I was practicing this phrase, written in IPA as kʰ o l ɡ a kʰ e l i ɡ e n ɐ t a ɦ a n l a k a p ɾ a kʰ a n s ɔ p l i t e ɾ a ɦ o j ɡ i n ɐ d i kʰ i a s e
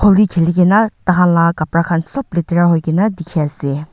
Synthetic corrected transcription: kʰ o l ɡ i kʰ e l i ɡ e n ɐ t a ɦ a n l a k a p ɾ a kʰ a n s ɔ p l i t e ɾ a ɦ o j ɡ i n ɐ d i kʰ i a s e